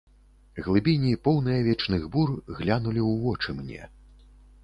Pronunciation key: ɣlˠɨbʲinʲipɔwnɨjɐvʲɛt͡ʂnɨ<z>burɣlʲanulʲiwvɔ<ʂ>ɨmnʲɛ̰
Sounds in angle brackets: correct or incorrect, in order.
incorrect: ɣ, incorrect: t͡ʂ

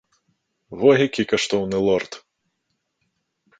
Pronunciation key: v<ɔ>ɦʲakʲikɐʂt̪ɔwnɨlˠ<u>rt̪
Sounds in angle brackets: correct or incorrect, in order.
correct, incorrect: ɔ

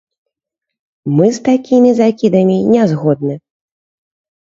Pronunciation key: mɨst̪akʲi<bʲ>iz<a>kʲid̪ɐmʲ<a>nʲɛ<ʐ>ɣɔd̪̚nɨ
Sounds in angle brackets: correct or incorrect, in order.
incorrect: mʲ, correct, incorrect: i, incorrect: z

